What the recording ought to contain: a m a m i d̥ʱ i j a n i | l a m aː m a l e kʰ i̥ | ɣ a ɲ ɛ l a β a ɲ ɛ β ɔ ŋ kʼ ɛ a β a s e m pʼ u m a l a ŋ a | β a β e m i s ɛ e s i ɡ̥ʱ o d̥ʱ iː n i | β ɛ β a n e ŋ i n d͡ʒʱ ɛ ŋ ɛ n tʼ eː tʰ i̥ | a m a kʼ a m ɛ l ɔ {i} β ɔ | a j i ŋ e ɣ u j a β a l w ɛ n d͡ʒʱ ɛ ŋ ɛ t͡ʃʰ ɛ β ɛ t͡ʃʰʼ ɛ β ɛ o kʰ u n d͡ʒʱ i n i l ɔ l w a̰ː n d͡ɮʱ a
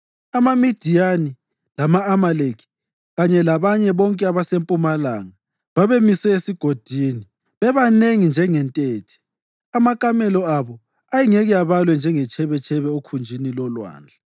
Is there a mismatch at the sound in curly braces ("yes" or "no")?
yes